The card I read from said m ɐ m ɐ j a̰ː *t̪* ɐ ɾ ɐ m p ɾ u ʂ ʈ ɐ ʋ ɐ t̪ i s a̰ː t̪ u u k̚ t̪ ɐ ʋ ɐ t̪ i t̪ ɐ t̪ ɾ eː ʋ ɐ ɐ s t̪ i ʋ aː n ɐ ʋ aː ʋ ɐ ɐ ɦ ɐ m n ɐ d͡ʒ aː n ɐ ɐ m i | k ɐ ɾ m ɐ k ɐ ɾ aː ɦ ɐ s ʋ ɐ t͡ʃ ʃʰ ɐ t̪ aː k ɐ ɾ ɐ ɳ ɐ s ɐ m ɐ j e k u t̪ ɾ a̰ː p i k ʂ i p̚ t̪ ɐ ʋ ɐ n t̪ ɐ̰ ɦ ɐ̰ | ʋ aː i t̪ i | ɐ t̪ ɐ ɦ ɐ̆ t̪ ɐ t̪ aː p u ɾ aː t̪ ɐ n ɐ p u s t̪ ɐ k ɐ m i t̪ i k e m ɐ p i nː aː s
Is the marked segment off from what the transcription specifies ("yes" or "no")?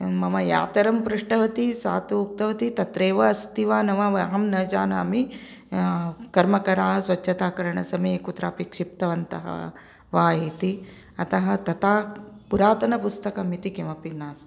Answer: no